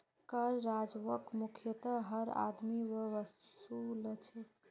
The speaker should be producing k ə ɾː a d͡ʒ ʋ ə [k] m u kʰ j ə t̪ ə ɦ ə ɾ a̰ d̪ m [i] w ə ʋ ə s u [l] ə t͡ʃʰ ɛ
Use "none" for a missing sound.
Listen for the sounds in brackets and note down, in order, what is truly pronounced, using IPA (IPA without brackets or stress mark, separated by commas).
k, i, l